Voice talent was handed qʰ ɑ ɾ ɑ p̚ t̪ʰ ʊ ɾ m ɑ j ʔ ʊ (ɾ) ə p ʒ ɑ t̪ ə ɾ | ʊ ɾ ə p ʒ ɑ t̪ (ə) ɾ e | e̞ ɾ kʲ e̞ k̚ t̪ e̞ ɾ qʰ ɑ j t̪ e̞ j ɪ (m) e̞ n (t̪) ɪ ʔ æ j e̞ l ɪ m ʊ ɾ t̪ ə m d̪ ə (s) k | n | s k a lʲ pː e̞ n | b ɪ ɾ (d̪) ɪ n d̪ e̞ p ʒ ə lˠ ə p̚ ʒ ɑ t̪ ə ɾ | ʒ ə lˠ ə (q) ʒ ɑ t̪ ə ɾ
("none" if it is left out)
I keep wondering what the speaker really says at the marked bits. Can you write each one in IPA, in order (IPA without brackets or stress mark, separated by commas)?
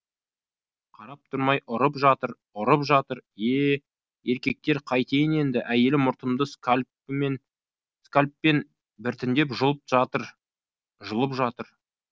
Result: ɾ, ə, n, d̪, s, t̪, p